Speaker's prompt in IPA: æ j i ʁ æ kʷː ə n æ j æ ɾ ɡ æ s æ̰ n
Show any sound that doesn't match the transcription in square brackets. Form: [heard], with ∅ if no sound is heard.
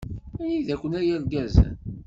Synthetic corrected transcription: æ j i [ð] æ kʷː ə n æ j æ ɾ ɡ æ [z] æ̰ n